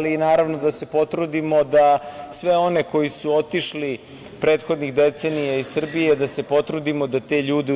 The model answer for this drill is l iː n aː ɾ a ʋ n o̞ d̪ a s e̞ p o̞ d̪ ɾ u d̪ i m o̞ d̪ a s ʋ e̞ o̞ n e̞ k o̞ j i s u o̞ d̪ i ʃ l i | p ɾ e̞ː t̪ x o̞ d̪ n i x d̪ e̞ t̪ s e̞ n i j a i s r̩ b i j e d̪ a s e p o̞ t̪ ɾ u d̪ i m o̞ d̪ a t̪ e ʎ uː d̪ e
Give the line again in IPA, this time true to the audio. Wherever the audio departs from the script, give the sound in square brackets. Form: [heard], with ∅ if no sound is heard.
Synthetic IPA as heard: l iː n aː ɾ a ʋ n o̞ d̪ a s e̞ p o̞ [t̪] ɾ u d̪ i m o̞ d̪ a s ʋ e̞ o̞ n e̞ k o̞ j i s u o̞ [t̪] i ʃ l i | p ɾ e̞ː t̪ x o̞ d̪ n i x d̪ e̞ t̪ s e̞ n i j a i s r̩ b i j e d̪ a s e p o̞ t̪ ɾ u d̪ i m o̞ d̪ a t̪ e ʎ uː d̪ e